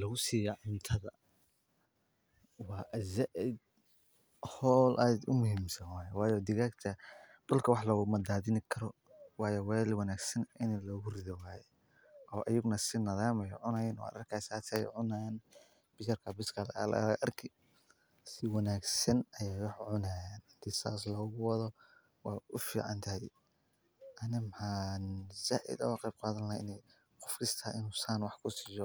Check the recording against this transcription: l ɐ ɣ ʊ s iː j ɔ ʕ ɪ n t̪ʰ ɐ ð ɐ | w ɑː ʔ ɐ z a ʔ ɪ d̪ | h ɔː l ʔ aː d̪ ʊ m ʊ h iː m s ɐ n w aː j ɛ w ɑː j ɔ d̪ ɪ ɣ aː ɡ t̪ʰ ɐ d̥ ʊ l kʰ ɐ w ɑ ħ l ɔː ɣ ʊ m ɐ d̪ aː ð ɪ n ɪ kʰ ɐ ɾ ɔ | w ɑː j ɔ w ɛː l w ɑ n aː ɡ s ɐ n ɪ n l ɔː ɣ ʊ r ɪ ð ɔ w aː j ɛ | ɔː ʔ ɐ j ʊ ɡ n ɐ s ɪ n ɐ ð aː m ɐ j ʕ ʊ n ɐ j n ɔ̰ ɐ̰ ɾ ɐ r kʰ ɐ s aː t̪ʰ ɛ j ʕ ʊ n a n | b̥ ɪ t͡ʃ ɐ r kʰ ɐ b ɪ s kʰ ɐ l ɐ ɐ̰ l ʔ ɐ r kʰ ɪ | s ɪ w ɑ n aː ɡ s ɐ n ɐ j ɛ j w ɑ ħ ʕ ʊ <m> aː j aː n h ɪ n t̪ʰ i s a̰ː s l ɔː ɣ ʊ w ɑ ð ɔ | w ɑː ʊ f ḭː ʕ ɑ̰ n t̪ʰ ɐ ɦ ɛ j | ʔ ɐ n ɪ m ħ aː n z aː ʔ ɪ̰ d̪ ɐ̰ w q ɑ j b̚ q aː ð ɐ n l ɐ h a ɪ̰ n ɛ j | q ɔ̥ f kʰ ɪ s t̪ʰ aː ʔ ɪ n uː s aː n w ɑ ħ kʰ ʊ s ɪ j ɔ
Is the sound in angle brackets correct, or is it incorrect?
incorrect